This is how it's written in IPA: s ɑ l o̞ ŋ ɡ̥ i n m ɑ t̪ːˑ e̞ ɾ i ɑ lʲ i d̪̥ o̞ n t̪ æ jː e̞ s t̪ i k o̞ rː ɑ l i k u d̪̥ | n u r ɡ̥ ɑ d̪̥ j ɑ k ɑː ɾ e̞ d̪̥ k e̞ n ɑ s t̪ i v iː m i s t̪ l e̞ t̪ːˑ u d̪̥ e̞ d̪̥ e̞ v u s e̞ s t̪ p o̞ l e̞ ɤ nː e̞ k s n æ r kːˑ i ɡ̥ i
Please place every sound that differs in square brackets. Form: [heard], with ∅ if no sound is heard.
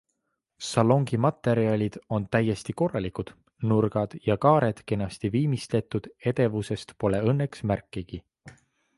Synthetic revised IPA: s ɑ l o̞ ŋ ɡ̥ i [∅] m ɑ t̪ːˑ e̞ ɾ i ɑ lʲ i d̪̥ o̞ n t̪ æ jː e̞ s t̪ i k o̞ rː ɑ l i k u d̪̥ | n u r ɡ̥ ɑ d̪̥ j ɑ k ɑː ɾ e̞ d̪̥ k e̞ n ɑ s t̪ i v iː m i s t̪ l e̞ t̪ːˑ u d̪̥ e̞ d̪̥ e̞ v u s e̞ s t̪ p o̞ l e̞ ɤ nː e̞ k s [m] æ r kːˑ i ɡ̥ i

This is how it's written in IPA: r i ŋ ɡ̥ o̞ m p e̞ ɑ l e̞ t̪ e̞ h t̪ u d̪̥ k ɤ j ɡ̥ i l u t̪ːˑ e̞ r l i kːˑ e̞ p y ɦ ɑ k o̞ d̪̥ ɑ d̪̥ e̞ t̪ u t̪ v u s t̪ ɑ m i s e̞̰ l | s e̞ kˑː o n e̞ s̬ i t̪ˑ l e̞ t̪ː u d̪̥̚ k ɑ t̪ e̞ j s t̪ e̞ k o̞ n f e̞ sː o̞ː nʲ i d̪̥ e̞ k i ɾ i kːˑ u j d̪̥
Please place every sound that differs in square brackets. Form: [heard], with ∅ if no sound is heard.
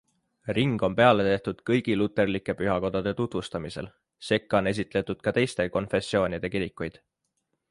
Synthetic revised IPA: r i ŋ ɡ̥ o̞ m p e̞ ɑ l e̞ t̪ e̞ h t̪ u d̪̥ k ɤ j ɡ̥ i l u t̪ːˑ e̞ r l i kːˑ e̞ p y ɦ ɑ k o̞ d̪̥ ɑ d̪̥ e̞ t̪ u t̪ v u s t̪ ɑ m i s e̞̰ l | s e̞ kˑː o n e̞ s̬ i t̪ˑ l e̞ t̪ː u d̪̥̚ k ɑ t̪ e̞ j s t̪ e̞ k o̞ n f e̞ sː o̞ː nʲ i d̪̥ e̞ k i ɾ i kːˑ u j d̪̥

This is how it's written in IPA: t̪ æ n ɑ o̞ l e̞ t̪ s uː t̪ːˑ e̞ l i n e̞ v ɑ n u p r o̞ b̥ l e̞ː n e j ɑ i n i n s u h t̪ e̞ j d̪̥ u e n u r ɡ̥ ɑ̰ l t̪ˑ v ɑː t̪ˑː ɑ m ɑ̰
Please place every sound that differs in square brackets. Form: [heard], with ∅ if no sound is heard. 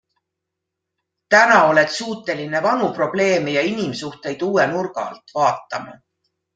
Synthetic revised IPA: t̪ æ n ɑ o̞ l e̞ t̪ s uː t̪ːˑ e̞ l i n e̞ v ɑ n u p r o̞ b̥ l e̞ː [m] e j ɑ i n i [m] s u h t̪ e̞ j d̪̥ [uː] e n u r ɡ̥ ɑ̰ l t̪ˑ v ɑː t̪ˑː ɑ m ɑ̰

